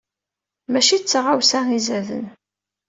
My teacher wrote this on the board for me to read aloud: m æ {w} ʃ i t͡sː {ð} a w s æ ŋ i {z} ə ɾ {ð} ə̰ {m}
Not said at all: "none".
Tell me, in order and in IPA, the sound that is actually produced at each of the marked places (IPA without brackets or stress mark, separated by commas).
none, ʁ, z, ð, n